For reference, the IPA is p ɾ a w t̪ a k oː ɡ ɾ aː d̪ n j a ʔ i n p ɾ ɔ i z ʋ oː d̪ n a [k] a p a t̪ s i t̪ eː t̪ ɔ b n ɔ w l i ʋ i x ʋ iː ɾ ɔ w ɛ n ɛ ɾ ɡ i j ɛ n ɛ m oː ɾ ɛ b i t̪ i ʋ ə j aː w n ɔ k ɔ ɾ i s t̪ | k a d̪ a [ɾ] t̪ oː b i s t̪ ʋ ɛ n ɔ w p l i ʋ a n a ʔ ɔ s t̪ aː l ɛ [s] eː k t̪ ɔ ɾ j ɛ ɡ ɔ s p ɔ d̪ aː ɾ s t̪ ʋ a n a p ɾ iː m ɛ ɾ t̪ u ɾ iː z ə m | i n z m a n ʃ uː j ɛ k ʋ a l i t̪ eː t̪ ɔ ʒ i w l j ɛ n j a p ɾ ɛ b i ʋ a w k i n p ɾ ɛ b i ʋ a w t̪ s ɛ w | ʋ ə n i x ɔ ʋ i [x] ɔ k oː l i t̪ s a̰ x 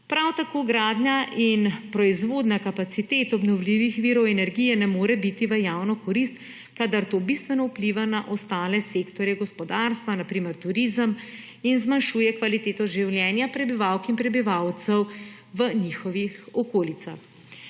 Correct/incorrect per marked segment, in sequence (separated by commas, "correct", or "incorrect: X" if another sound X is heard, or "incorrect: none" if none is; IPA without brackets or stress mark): correct, correct, correct, correct